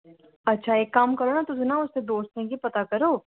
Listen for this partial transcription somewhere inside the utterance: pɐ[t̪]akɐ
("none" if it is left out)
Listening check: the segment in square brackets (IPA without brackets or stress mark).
t̪